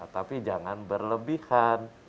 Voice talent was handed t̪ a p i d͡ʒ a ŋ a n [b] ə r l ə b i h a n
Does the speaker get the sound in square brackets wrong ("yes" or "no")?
no